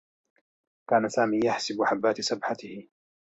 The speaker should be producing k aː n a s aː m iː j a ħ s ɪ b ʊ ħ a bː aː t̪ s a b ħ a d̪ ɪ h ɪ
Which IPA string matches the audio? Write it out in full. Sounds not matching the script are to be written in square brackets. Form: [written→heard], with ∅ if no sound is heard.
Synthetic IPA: k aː n a s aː m iː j a ħ s ɪ b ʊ ħ a bː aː t̪ s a b ħ a [d̪→t̪] ɪ h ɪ